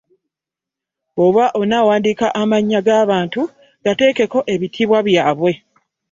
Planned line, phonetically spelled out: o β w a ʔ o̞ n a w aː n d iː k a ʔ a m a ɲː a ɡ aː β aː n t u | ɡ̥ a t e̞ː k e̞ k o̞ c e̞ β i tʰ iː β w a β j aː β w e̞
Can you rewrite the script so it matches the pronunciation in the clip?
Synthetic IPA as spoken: o β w a ʔ o̞ n a w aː n d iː k a ʔ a m a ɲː a ɡ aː β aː n t u | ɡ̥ a t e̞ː k e̞ k o̞ ʔ e̞ β i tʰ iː β w a β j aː β w e̞